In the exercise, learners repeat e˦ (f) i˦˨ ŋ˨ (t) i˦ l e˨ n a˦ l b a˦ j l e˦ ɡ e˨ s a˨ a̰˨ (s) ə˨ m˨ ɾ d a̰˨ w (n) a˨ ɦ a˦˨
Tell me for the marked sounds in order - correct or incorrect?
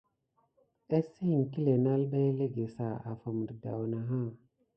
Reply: incorrect: s, incorrect: k, incorrect: f, correct

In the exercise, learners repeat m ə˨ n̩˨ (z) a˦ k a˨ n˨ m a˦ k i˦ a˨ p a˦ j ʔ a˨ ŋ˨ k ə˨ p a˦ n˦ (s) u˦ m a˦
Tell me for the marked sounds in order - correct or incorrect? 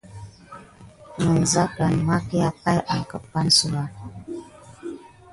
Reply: correct, correct

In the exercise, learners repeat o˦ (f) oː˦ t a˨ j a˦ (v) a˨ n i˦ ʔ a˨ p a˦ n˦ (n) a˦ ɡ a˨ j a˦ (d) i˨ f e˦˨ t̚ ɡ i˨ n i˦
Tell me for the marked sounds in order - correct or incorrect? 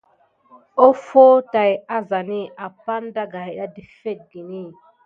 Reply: correct, incorrect: z, incorrect: d, correct

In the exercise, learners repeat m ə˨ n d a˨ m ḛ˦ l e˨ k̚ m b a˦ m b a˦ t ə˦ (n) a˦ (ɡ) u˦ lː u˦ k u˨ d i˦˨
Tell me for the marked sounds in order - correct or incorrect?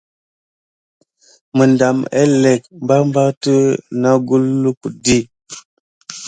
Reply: correct, correct

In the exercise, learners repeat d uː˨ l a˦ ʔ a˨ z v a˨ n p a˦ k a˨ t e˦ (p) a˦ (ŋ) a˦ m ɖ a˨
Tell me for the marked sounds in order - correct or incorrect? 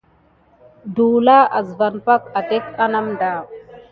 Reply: incorrect: k, incorrect: n

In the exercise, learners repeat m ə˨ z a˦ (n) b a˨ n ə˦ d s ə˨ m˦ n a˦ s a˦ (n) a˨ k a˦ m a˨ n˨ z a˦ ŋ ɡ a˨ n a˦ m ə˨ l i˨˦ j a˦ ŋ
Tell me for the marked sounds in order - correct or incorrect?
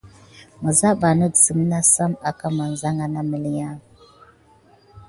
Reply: incorrect: none, incorrect: m

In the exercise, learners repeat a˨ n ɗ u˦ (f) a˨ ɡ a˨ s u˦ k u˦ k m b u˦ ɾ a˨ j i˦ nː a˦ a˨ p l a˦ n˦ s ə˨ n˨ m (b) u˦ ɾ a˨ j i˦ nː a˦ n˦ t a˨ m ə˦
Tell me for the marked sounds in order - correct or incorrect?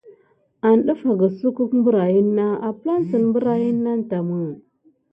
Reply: correct, correct

